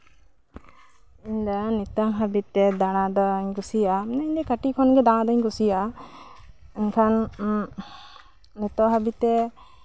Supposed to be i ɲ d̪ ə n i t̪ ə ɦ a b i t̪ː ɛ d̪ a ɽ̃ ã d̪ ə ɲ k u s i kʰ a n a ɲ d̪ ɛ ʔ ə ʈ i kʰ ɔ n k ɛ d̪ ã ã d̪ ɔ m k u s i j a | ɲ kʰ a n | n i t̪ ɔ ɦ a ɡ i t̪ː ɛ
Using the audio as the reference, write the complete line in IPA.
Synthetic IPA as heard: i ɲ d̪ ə n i t̪ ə ɦ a b i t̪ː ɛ d̪ a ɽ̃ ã d̪ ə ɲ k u s i a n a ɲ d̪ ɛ k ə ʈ i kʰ ɔ n ɡ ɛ d̪ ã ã d̪ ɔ ɲ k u s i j a | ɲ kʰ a n | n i t̪ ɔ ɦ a b i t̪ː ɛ